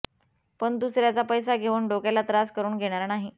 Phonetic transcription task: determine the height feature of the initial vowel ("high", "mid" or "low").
mid